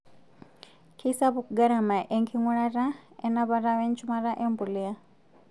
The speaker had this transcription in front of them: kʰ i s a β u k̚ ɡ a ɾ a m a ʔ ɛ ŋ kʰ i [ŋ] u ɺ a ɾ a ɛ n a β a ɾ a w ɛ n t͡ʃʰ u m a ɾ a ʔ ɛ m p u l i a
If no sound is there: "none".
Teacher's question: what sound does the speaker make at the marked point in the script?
ŋ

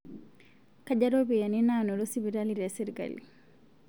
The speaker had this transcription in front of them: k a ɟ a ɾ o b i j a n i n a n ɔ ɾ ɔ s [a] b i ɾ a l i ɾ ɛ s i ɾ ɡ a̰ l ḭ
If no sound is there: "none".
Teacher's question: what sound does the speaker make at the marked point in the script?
i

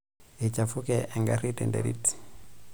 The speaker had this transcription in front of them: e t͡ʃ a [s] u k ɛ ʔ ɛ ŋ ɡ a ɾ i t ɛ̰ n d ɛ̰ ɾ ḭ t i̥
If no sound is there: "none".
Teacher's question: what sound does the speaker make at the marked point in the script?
f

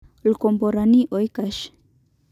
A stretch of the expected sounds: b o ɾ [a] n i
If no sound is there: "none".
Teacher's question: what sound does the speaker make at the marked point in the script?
a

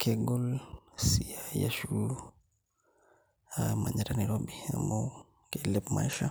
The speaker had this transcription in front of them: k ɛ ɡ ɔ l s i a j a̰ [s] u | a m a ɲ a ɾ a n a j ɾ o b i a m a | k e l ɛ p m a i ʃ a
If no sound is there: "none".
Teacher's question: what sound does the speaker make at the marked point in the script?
ʃ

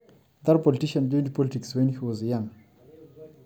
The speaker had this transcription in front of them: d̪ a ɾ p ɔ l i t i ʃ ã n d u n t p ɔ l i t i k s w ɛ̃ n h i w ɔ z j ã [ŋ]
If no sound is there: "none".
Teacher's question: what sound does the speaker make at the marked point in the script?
ŋ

